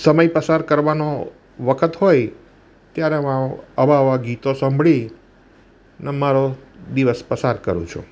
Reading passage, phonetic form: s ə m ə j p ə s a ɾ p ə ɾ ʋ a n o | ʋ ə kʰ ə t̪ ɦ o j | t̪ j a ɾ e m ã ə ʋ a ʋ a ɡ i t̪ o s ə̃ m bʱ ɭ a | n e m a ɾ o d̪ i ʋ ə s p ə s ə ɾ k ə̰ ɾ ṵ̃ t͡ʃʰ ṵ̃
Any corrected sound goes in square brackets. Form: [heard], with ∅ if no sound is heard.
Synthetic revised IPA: s ə m ə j p ə s a ɾ [k] ə ɾ ʋ a n o | ʋ ə kʰ ə t̪ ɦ o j | t̪ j a ɾ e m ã ə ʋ a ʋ a ɡ i t̪ o s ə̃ m bʱ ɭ [i] | n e m a ɾ o d̪ i ʋ ə s p ə s [a] ɾ k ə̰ ɾ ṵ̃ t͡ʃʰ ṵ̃